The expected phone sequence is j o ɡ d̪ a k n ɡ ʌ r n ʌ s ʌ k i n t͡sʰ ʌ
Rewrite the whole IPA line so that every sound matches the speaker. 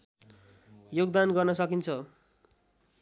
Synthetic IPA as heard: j o ɡ d̪ a n ɡ ʌ r n ʌ s ʌ k i n t͡sʰ ʌ